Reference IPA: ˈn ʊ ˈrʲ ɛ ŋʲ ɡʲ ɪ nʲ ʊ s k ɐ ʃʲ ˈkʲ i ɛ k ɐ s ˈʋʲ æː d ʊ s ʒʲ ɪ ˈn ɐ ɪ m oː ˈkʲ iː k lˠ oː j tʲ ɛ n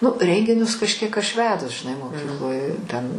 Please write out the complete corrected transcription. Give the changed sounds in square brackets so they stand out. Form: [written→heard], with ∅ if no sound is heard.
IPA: ˈn ʊ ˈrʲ ɛ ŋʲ ɡʲ ɪ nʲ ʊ s k ɐ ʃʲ ˈkʲ i ɛ k ɐ [s→ʃ] ˈʋʲ æː d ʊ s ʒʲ ɪ ˈn ɐ ɪ m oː ˈkʲ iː k lˠ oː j tʲ ɛ n